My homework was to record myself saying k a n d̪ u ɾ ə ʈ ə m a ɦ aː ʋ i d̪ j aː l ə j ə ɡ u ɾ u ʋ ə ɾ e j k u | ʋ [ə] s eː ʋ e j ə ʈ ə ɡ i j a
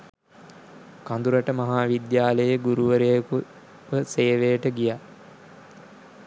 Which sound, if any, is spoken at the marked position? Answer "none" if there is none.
ə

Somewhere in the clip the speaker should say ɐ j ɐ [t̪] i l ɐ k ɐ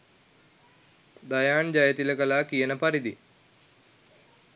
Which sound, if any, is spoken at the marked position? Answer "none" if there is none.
t̪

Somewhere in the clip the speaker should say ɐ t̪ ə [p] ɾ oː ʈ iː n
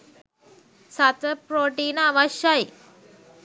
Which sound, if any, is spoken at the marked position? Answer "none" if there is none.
p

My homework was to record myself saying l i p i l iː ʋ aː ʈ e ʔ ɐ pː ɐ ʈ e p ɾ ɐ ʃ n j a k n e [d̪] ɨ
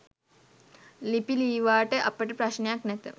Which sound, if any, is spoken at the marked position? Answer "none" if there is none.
t̪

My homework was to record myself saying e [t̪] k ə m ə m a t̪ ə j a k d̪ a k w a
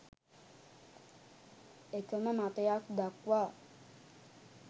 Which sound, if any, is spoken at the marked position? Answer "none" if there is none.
none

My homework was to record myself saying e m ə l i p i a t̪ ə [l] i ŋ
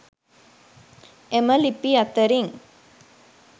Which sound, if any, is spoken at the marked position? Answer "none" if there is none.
ɾ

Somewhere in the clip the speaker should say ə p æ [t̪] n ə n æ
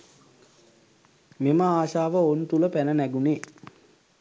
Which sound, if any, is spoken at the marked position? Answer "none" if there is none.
none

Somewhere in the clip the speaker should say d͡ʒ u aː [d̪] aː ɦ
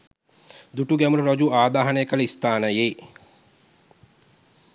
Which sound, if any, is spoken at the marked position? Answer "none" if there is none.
d̪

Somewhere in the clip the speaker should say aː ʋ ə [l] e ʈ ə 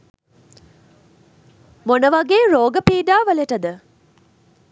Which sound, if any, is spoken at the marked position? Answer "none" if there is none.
l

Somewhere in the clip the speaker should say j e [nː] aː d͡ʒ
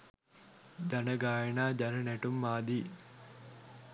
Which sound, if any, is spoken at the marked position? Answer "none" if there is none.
n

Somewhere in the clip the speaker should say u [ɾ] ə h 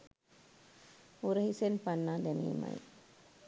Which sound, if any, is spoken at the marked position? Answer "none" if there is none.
ɾ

